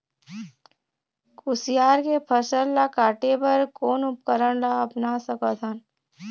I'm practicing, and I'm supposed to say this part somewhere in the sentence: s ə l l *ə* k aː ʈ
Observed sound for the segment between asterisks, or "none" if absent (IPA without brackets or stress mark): a